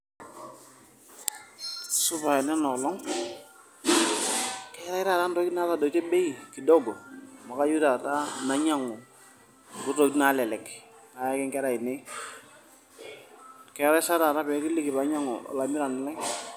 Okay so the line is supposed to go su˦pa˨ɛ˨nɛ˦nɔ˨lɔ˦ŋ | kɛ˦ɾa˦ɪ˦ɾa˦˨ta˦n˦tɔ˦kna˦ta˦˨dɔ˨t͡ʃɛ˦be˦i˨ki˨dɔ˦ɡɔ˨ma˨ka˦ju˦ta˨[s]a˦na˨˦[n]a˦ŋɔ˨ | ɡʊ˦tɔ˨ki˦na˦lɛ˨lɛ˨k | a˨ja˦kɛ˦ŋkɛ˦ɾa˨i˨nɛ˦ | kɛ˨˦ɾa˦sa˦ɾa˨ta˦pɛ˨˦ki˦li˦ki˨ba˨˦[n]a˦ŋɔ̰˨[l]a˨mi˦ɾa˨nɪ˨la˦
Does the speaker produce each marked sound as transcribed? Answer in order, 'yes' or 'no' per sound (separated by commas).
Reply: no, no, no, yes